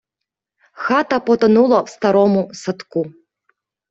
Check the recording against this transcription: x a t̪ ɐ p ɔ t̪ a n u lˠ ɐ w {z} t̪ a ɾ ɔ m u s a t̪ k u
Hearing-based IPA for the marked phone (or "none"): s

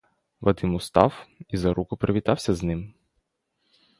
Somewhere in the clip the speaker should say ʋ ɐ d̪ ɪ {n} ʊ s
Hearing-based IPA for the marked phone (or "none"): m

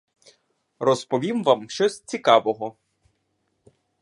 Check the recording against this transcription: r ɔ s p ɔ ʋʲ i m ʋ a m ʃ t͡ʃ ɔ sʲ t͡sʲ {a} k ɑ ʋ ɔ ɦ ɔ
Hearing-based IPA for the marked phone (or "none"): i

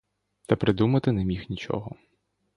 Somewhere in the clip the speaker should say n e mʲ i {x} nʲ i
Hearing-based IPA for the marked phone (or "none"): x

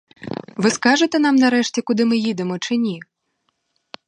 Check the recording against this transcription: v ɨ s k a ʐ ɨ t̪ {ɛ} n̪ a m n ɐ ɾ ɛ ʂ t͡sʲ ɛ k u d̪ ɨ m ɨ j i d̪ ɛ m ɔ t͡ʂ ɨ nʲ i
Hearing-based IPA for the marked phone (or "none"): ɛ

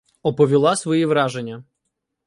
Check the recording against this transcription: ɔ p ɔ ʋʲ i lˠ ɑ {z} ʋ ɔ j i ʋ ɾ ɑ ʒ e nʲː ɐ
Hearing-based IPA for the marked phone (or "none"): s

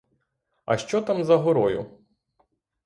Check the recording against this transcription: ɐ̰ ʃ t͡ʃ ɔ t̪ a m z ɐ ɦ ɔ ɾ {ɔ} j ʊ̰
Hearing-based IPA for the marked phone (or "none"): ɔ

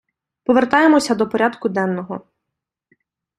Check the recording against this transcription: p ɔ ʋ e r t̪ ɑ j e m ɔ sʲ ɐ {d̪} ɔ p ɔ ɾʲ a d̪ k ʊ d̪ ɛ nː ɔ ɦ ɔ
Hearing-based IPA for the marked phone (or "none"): d̪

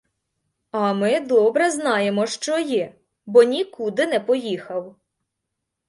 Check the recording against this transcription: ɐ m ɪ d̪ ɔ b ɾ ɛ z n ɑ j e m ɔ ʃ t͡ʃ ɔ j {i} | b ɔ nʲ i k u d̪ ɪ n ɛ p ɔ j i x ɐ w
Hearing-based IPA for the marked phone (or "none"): ɛ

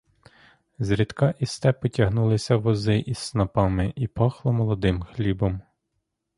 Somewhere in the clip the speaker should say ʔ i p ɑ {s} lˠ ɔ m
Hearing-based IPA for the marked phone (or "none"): x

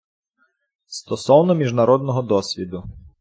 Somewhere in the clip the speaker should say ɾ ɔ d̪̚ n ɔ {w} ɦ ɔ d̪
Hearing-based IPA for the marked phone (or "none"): none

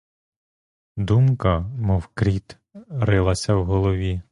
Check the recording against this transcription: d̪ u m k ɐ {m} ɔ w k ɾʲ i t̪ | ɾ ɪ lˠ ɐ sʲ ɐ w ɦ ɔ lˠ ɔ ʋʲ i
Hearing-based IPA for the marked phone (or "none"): m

